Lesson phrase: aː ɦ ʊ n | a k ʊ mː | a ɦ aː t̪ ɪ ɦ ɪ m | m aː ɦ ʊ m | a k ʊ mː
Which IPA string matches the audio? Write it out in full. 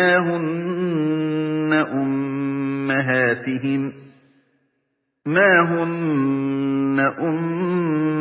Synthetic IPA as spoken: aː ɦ ʊ n | a ʔ ʊ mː | a ɦ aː t̪ ɪ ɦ ɪ m | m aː ɦ ʊ n | a ʔ ʊ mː

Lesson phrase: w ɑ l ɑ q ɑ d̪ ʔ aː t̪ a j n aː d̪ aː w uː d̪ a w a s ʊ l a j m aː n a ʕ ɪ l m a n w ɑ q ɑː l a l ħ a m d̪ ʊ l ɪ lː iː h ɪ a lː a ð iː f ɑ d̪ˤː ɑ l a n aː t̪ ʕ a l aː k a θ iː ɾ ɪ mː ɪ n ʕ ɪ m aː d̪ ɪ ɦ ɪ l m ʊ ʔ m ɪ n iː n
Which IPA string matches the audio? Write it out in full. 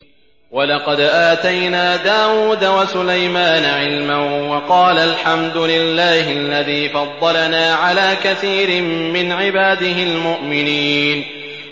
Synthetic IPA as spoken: w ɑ l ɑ q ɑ d̪ ʔ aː t̪ a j n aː d̪ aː w uː d̪ a w a s ʊ l a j m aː n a ʕ ɪ l m a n w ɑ q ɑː l a l ħ a m d̪ ʊ l ɪ lː aː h ɪ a lː a ð iː f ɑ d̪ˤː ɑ l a n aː ʕ a l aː k a θ iː ɾ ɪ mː ɪ n ʕ ɪ b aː d̪ ɪ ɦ ɪ l m ʊ ʔ m ɪ n iː n

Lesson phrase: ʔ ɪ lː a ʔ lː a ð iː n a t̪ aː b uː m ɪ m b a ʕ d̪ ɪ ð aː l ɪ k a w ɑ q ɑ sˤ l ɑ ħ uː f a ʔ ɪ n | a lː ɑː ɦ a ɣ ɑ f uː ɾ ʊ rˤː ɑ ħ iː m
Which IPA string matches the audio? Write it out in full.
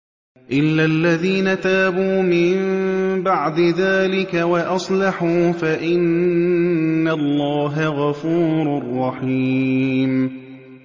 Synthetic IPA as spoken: ʔ ɪ lː a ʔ lː a ð iː n a t̪ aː b uː m ɪ m b a ʕ d̪ ɪ ð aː l ɪ k a w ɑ ʔ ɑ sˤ l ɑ ħ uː f a ʔ ɪ n | a lː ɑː ɦ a ɣ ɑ f uː ɾ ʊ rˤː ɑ ħ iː m

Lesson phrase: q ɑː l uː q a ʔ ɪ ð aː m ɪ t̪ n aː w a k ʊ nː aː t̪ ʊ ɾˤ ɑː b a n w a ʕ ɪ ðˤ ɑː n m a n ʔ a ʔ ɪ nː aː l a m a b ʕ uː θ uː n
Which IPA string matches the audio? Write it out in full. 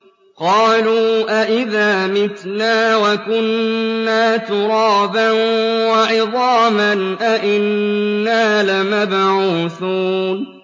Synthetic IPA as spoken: q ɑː l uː ʔ a ʔ ɪ ð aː m ɪ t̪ n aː w a k ʊ nː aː t̪ ʊ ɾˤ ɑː b a n w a ʕ ɪ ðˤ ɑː m a n ʔ a ʔ ɪ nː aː l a m a b ʕ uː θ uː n

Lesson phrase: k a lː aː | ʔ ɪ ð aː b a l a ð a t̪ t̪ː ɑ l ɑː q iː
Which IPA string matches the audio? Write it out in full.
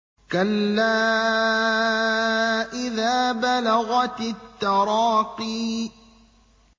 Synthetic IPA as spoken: k a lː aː | ʔ ɪ ð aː b a l a ɣ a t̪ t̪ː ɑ ɾ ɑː q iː

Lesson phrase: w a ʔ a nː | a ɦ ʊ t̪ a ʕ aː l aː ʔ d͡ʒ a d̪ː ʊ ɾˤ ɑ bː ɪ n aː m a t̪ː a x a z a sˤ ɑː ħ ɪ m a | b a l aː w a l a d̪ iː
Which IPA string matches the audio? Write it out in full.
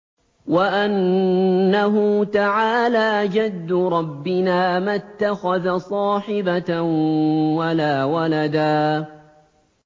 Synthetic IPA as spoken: w a ʔ a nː | a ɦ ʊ t̪ a ʕ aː l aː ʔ d͡ʒ a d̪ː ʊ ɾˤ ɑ bː ɪ n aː m a t̪ː a x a ð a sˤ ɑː ħ ɪ b a | w a l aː w a l a d̪ aː

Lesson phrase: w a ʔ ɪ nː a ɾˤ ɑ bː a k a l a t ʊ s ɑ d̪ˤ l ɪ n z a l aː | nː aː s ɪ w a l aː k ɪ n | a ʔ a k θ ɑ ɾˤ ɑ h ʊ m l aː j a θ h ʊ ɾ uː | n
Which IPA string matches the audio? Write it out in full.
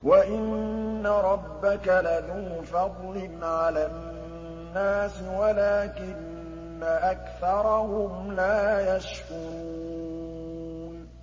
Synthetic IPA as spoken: w a ʔ ɪ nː a ɾˤ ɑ bː a k a l a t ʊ f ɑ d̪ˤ l ɪ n ʕ a l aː | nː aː s ɪ w a l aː k ɪ nː | a ʔ a k θ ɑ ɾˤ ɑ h ʊ m l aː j a ʃ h ʊ ɾ uː | n

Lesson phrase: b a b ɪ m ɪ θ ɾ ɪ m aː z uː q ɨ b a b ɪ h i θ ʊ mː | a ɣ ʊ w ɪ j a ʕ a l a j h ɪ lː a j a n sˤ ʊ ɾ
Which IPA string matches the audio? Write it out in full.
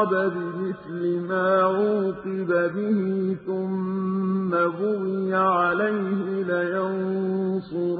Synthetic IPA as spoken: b a b ɪ m ɪ θ l ɪ m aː ʕ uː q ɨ b a b ɪ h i θ ʊ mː | a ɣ ʊ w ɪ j a ʕ a l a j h ɪ l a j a n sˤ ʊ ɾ

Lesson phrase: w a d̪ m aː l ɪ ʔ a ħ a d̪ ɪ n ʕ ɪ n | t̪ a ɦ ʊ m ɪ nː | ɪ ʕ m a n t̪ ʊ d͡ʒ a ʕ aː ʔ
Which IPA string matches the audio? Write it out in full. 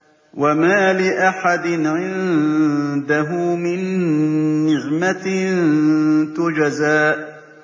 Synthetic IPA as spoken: w a m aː l ɪ ʔ a ħ a d̪ ɪ n ʕ ɪ n | d̪ a ɦ ʊ m ɪ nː | ɪ ʕ m a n t̪ ʊ d͡ʒ a z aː ʔ

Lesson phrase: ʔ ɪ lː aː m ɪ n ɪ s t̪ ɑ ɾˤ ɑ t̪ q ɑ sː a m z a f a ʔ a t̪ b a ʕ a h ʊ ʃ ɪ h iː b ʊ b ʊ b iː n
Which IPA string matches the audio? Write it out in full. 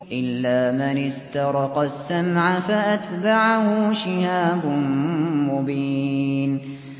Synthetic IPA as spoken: ʔ ɪ lː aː m ɪ n ɪ s t̪ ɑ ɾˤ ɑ q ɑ sː a m ʕ a f a ʔ a t̪ b a ʕ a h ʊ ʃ ɪ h aː b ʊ m ʊ b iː n

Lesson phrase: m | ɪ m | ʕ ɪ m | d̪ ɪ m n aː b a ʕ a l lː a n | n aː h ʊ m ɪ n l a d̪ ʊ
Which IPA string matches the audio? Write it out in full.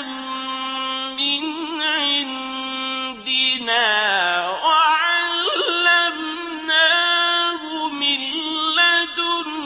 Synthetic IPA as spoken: m | ɪ n | ʕ ɪ n | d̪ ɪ n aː w a ʕ a l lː a m | n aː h ʊ m ɪ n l a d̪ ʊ

